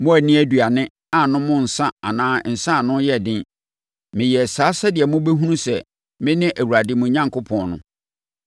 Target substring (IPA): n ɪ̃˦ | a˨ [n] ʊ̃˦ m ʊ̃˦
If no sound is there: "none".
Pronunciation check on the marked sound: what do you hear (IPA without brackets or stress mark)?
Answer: n